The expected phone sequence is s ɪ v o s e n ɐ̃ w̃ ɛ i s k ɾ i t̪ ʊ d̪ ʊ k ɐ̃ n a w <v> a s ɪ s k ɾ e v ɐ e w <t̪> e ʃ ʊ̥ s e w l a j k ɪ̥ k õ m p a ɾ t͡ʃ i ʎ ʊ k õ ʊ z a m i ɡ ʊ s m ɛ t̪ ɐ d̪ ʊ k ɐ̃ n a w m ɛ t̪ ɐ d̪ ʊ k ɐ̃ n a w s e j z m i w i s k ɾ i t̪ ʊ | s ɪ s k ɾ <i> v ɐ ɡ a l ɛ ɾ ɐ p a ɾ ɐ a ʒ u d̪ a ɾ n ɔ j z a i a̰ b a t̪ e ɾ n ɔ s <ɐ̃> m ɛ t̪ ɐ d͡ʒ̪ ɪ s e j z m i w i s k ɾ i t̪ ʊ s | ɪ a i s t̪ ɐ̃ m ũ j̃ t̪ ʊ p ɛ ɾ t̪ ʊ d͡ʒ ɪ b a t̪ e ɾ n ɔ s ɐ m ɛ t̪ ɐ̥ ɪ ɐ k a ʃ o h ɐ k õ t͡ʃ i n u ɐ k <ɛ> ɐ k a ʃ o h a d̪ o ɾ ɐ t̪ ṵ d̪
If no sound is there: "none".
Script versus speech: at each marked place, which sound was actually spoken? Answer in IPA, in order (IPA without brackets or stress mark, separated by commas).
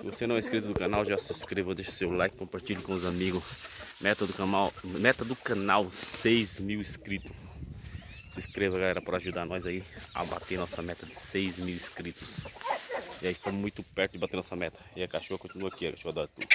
ʒ, d̪, e, ɐ, i